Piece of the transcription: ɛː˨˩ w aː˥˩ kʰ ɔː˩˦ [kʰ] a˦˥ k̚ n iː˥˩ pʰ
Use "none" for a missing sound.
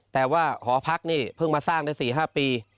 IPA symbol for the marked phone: pʰ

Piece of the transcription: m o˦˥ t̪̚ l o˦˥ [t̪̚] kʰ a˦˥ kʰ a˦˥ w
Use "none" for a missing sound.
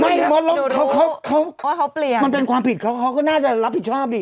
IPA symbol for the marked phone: none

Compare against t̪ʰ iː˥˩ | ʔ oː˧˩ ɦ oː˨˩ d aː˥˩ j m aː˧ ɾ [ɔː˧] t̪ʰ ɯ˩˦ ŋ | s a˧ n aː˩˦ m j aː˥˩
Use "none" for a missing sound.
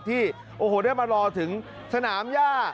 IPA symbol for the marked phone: ɔː˧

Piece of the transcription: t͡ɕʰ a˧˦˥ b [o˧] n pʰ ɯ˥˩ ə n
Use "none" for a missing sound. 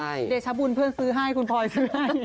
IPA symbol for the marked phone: u˧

